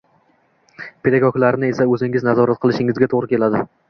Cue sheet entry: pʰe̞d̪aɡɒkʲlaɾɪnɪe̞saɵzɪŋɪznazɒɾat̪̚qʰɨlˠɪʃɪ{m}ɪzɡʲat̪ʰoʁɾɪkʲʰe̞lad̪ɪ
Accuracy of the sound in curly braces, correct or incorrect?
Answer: incorrect